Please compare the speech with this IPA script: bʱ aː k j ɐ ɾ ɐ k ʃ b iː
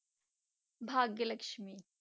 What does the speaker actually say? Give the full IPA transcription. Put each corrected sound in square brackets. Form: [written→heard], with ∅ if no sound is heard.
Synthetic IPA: bʱ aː [k→ɡ] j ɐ [ɾ→l] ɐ k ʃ [b→m] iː